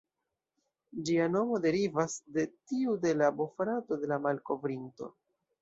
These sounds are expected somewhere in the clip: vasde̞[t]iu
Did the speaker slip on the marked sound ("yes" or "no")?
no